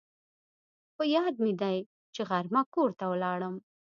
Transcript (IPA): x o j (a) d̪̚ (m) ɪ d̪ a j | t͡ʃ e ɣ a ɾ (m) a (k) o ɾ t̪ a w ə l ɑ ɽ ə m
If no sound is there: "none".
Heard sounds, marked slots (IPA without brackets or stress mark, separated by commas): ɑ, m, m, k